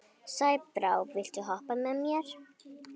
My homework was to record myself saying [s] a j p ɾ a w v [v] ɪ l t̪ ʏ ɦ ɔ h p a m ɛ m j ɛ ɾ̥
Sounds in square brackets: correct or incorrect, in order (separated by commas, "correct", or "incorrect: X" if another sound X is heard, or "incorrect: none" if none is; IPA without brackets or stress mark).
correct, correct